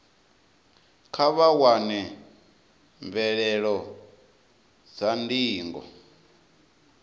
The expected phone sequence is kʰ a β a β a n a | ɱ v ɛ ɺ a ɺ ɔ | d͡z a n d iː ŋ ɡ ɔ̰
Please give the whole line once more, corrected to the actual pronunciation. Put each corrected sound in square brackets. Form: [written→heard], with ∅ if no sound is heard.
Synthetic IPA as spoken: kʰ a β a [β→w] a n [a→ɛ] | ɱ v ɛ ɺ [a→ɛ] ɺ ɔ | d͡z a n d iː ŋ ɡ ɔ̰